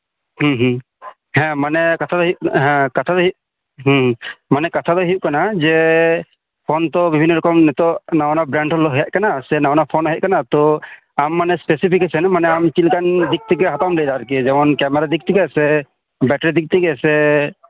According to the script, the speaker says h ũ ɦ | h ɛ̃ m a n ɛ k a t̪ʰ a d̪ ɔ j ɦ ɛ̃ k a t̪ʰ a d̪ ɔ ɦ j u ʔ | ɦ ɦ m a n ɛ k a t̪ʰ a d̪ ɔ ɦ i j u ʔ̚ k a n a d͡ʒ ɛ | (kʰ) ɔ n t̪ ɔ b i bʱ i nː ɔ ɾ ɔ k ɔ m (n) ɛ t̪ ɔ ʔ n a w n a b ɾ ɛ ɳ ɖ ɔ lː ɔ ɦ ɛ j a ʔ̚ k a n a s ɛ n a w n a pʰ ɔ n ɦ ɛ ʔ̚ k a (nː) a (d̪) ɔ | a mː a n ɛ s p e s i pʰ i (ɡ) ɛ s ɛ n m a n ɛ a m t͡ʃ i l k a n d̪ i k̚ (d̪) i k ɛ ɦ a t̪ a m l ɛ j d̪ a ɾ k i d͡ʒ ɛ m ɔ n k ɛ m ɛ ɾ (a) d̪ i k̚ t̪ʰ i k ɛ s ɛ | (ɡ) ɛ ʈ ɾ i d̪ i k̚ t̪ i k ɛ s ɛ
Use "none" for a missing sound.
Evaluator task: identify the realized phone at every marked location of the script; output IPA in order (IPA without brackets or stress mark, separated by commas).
pʰ, n, n, t̪, k, t̪, a, b